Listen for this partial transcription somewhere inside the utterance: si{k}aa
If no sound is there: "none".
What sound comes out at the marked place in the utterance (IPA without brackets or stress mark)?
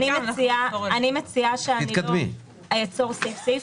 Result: none